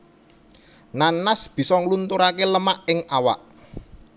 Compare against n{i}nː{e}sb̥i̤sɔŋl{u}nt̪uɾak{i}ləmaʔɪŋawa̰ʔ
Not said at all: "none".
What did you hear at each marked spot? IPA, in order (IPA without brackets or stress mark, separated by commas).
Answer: a, a, u, e